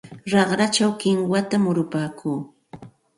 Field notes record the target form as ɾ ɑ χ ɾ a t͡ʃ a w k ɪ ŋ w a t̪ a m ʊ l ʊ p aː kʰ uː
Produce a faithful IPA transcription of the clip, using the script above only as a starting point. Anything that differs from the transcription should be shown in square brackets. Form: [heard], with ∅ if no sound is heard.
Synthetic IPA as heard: ɾ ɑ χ ɾ a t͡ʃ a w k ɪ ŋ w a t̪ a m ʊ [ɾ] ʊ p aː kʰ uː